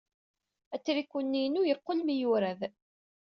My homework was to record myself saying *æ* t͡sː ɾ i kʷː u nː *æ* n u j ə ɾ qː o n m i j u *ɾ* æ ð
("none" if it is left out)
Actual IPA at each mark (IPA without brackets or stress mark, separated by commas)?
æ, i, ɾ